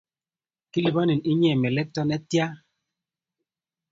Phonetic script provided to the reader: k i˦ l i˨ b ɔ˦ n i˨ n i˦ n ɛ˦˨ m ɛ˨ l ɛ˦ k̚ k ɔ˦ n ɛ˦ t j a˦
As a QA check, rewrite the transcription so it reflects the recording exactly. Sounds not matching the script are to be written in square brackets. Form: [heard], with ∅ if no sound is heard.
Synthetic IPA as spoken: k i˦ l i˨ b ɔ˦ n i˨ n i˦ [ɲ] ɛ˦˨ m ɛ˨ l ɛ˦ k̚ [t] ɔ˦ n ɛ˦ t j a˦